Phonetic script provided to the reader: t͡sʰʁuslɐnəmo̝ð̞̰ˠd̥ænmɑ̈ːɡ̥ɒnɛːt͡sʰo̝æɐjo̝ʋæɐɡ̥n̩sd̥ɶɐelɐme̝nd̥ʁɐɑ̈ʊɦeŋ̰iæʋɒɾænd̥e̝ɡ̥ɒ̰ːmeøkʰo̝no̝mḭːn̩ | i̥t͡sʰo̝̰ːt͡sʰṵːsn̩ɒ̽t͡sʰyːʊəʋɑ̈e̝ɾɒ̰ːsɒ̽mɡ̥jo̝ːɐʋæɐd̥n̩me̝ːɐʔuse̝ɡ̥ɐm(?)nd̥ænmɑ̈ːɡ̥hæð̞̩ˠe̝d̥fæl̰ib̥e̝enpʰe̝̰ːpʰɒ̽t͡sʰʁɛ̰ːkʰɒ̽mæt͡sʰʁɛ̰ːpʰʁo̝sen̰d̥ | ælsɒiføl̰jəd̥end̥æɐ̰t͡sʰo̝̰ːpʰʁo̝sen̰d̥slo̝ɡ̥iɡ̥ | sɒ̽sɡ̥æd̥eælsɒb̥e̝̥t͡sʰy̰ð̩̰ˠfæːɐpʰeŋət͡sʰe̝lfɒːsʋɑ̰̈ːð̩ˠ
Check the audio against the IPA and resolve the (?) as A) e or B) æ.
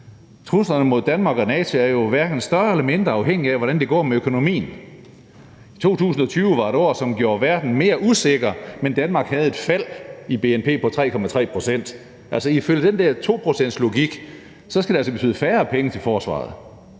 A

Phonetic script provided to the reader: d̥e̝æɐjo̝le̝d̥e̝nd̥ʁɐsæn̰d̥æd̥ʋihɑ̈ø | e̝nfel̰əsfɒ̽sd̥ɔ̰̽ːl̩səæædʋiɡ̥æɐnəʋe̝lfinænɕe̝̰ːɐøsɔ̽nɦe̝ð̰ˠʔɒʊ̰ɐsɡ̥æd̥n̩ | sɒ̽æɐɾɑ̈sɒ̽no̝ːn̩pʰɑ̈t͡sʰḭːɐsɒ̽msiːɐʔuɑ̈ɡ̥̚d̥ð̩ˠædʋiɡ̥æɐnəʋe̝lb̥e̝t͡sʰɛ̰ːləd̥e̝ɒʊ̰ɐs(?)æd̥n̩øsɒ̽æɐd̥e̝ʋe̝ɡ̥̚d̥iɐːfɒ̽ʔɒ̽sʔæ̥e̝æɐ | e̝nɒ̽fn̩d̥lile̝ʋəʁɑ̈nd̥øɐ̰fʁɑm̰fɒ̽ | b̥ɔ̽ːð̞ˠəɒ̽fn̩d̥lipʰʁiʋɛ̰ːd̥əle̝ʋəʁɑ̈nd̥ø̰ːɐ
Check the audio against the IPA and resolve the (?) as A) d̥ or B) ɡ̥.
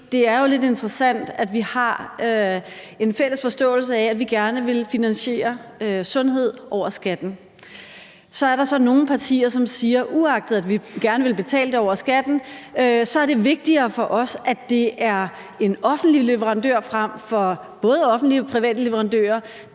B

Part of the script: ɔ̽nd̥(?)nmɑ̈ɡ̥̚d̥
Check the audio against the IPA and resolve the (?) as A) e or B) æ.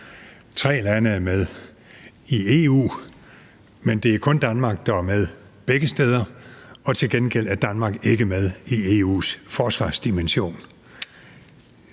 B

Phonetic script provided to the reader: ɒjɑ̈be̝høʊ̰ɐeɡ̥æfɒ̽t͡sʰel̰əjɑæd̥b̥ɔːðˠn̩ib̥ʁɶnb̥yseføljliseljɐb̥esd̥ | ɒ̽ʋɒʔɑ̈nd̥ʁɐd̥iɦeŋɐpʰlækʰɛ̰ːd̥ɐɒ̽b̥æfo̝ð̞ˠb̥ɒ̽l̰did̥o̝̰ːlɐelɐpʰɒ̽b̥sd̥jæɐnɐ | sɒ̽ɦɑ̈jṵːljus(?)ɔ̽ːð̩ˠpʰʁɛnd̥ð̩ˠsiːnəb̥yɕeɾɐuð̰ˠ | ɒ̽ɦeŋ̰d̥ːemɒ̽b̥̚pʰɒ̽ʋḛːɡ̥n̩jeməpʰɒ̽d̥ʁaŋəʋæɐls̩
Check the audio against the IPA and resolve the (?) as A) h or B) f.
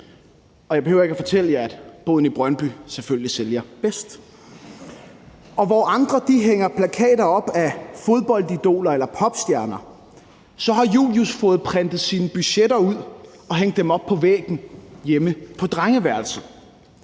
B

